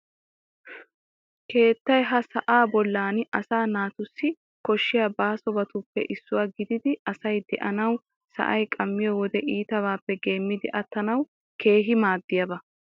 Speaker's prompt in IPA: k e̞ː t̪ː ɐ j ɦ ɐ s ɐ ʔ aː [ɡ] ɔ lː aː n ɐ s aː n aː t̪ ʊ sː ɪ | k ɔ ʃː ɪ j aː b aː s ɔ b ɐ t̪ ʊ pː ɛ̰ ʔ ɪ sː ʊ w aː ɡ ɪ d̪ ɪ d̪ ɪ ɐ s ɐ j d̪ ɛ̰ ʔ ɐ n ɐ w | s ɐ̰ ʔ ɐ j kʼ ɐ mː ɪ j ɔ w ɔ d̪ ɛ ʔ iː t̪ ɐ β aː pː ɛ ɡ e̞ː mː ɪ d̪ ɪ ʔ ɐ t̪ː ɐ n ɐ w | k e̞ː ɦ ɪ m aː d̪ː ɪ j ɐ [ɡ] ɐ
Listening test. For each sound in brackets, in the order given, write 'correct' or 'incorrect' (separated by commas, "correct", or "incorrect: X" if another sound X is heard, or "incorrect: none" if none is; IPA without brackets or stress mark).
incorrect: b, incorrect: b